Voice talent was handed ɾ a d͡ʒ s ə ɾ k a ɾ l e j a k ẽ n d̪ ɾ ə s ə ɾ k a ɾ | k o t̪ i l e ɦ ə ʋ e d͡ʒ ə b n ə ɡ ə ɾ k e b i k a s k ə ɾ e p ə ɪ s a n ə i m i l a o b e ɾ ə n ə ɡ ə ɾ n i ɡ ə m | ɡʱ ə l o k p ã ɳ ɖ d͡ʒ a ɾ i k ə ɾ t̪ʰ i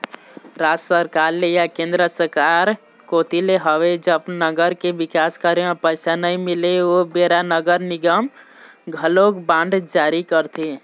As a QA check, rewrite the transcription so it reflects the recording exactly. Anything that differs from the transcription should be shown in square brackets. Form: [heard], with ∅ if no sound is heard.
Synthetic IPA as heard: ɾ a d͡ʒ s ə ɾ k a ɾ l e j a k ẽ n d̪ ɾ ə s ə ɾ k a ɾ | k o t̪ i l e ɦ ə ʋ e d͡ʒ ə b n ə ɡ ə ɾ k e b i k a s k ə ɾ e p ə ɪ s a n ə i m i l [e] o b e ɾ [a] n ə ɡ ə ɾ n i ɡ ə m | ɡʱ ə l o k [b] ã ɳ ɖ d͡ʒ a ɾ i k ə ɾ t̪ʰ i